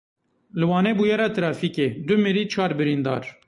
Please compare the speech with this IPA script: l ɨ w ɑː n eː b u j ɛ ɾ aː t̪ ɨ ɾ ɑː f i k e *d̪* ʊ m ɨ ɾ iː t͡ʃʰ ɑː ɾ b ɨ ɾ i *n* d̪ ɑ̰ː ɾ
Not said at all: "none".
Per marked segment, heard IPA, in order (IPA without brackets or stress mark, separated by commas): d̪, n